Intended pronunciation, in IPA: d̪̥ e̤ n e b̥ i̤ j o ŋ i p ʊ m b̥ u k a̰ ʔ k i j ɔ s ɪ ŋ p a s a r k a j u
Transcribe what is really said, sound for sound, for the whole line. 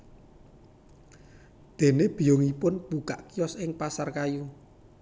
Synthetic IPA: d̪̥ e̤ n e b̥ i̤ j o ŋ i p ʊ n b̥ u k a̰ ʔ k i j ɔ s ɪ ŋ p a s a r k a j u